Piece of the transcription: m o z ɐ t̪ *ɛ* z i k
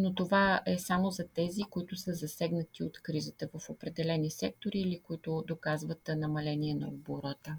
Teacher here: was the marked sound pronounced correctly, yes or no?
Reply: yes